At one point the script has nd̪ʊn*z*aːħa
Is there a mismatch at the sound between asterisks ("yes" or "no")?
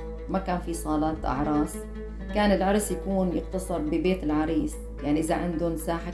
yes